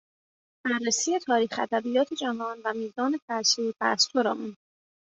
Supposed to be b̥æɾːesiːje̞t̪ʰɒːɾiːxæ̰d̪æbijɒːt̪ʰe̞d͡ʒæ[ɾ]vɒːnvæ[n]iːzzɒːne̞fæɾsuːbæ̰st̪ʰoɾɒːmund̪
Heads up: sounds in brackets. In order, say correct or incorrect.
incorrect: none, incorrect: m

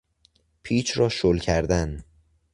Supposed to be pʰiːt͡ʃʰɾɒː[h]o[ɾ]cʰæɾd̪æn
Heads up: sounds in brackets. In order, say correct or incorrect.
incorrect: ʃ, incorrect: l

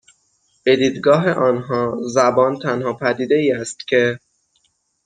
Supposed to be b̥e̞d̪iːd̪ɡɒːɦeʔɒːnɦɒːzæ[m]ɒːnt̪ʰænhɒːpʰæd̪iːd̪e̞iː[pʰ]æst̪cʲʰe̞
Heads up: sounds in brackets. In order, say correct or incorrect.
incorrect: b, incorrect: none

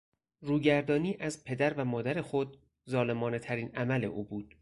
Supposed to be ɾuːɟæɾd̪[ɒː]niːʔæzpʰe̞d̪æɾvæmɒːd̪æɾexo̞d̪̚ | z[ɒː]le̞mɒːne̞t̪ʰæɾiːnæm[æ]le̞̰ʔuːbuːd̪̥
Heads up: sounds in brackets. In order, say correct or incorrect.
correct, correct, correct

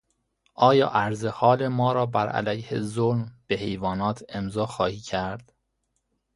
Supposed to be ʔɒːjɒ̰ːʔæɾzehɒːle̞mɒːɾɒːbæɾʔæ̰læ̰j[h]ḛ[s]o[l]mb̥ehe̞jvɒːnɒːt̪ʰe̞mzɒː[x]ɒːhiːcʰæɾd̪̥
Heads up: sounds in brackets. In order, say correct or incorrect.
correct, incorrect: z, correct, correct

